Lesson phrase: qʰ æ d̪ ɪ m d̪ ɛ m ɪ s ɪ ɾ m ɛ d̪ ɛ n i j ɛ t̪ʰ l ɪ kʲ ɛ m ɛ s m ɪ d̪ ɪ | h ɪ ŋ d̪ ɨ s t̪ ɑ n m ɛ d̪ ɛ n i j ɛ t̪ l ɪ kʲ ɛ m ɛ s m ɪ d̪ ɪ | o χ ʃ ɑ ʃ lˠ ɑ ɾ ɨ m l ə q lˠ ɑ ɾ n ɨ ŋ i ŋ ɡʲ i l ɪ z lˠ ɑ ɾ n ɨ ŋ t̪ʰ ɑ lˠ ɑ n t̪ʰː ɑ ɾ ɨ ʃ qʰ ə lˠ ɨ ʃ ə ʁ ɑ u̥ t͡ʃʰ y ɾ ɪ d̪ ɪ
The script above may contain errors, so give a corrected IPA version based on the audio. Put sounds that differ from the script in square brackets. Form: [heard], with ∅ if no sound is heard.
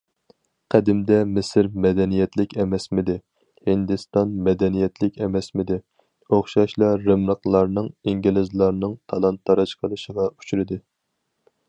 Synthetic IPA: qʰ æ d̪ ɪ m d̪ ɛ m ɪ s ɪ ɾ m ɛ d̪ ɛ n i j ɛ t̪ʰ l ɪ kʲ ɛ m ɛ s m ɪ d̪ ɪ | h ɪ [n] d̪ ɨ s t̪ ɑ n m ɛ d̪ ɛ n i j ɛ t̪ l ɪ kʲ ɛ m ɛ s m ɪ d̪ ɪ | o χ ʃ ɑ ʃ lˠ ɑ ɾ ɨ m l ə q lˠ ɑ ɾ n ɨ ŋ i ŋ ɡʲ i l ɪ z lˠ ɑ ɾ n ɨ ŋ t̪ʰ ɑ lˠ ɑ n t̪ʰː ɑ ɾ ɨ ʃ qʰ ə lˠ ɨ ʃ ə ʁ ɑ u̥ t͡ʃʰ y ɾ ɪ d̪ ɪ